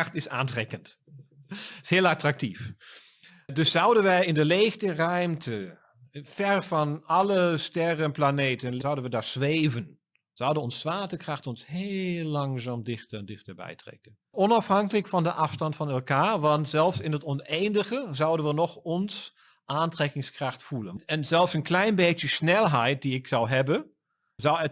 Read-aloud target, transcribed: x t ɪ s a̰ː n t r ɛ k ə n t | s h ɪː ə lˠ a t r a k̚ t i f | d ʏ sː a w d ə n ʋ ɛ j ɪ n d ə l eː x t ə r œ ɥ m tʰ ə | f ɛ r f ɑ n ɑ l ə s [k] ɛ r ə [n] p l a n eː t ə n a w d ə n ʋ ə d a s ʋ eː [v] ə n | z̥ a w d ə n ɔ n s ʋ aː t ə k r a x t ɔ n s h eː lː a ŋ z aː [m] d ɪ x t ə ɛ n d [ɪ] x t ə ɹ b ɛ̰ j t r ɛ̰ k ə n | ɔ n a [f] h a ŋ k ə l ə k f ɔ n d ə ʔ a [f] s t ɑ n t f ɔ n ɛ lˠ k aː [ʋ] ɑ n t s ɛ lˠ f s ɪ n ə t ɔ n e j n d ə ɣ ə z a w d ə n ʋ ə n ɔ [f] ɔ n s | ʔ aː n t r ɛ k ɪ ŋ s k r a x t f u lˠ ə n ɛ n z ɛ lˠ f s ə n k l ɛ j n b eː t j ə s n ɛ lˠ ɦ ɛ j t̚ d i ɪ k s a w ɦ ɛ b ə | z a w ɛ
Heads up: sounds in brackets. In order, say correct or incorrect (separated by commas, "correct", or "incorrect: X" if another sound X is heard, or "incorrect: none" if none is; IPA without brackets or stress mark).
incorrect: t, correct, correct, correct, correct, correct, correct, correct, incorrect: x